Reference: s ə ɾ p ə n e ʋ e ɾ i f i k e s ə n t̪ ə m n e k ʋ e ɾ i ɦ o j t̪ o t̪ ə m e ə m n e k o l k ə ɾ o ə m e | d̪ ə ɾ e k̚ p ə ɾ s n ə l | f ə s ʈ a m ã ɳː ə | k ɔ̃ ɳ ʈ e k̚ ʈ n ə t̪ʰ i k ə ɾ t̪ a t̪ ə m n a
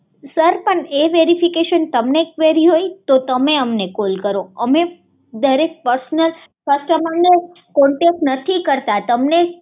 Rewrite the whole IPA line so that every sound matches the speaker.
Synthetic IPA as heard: s ə ɾ p ə ɳ e ʋ e ɾ i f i k e ʃ ə n t̪ ə m n e k ʋ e ɾ i ɦ o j t̪ o t̪ ə m e ə m n e k o l k ə ɾ o ə m e | d̪ ə ɾ e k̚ p ə ɾ s n ə l | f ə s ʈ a m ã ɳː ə | k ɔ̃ ɳ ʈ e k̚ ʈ n ə t̪ʰ i k ə ɾ t̪ a t̪ ə m n e